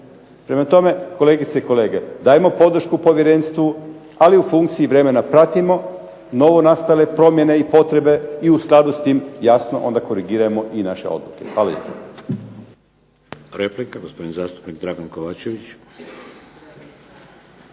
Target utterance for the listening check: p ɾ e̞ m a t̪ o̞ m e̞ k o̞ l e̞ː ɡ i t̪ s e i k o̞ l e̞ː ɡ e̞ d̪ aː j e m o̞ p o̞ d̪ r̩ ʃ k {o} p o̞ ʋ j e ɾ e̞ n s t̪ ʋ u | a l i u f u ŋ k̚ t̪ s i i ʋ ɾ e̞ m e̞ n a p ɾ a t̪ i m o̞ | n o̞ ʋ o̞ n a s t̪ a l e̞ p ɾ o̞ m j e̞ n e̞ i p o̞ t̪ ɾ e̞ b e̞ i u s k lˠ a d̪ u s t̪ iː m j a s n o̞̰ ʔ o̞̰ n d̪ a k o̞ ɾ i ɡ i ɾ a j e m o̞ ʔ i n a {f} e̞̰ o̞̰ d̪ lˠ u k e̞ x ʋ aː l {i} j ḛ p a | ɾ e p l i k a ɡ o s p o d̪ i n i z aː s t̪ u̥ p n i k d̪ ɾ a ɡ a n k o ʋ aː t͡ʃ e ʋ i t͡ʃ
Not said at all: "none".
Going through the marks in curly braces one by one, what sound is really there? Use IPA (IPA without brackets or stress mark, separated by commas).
u, ʃ, a